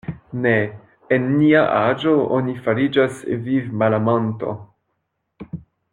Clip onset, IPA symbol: n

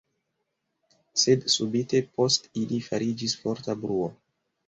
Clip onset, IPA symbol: s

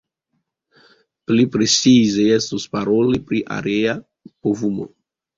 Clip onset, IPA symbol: p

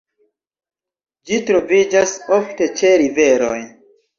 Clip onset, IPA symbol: d͡ʒ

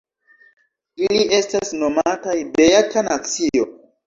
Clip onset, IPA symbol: i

